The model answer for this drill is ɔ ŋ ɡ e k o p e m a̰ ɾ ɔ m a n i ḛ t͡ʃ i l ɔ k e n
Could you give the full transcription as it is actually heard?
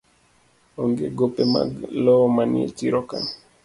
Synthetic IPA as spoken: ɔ ŋ ɡ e ɡ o p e m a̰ l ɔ m a n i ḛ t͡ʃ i ɾ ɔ k a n